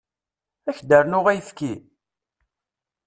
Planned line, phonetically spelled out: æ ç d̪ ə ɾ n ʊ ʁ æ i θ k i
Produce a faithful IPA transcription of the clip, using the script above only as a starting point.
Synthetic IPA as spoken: æ ç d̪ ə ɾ n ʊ ʁ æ j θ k i

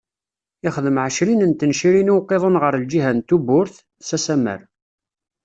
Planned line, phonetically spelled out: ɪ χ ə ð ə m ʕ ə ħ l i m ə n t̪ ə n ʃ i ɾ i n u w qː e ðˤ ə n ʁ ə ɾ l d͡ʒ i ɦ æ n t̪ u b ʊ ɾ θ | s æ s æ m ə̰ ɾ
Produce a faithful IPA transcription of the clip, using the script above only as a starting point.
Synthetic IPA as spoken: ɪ χ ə ð ə m ʕ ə ʃ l i n ə n t̪ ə n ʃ i ɾ i n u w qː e ðˤ ə n ʁ ə ɾ l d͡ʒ i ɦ æ n t̪ u b ʊ ɾ θ | s æ s æ m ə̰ ɾ

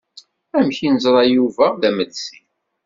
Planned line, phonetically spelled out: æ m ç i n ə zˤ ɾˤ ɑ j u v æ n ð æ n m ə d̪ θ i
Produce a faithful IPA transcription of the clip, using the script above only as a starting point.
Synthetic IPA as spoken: æ m ç i n ə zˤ ɾˤ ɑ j u v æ ð æ m ə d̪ s i

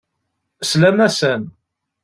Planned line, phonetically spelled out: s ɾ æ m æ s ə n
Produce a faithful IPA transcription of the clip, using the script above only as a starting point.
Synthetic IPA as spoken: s l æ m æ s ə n

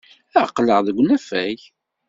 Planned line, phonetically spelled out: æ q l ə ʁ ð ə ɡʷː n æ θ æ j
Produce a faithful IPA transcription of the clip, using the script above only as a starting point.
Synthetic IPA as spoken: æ q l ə ʁ ð ə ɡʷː n æ f æ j

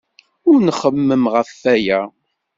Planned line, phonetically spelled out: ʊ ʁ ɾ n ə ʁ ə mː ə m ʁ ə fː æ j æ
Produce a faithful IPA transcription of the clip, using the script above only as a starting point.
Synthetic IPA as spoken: ʊ ɾ n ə χ ə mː ə m ʁ ə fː æ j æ

